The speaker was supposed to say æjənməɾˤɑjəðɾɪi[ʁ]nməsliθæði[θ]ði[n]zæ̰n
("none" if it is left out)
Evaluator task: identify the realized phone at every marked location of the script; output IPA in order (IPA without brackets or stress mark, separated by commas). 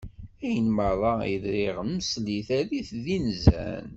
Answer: ʁ, θ, n